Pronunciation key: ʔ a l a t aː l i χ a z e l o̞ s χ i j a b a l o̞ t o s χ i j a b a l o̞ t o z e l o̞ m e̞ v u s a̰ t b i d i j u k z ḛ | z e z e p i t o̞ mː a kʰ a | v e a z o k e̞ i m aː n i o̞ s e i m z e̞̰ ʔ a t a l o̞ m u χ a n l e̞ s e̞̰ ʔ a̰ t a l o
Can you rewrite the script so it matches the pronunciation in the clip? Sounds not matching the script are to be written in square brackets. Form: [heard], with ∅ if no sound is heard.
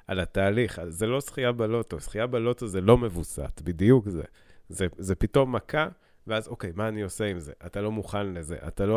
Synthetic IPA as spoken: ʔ a l a t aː l i χ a z e l o̞ s χ i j a b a l o̞ t o s χ i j a b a l o̞ t o z e l o̞ m e̞ v u s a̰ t b i d i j u k z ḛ | z e z e p i t o̞ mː a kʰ a | v e a z o k e̞ [j] m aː n i o̞ s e i m z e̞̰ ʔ a t a l o̞ m u χ a n l e̞ [z] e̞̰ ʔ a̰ t a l o